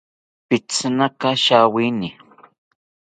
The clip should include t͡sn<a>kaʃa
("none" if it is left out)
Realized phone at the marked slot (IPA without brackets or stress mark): a